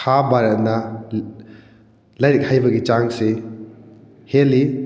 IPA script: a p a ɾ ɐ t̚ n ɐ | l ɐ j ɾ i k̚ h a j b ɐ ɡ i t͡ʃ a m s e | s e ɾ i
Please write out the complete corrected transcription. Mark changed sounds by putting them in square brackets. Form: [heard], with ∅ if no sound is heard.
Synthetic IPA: a [b] a ɾ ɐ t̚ n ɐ | l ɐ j ɾ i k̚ h a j b ɐ ɡ i t͡ʃ a [ŋ] s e | [h] e [l] i